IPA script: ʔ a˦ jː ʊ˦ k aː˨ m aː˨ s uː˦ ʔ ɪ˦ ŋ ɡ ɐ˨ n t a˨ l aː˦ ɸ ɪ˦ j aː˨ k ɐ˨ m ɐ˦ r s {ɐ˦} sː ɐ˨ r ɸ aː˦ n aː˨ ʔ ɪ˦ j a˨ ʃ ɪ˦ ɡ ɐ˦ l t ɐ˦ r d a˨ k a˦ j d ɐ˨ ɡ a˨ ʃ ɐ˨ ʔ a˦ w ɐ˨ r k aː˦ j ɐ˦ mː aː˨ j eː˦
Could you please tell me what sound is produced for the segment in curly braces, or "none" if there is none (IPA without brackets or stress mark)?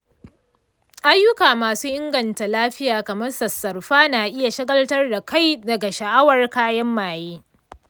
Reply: ɐ˨